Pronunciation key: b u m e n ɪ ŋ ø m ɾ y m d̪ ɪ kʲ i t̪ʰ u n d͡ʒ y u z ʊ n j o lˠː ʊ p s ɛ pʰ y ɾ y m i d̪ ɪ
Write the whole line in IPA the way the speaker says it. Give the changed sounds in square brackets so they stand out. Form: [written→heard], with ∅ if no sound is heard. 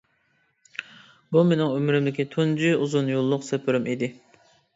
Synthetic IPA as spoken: b u m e n ɪ ŋ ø m ɾ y m d̪ ɪ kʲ i t̪ʰ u n d͡ʒ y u z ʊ n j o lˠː ʊ [p→q] s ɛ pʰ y ɾ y m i d̪ ɪ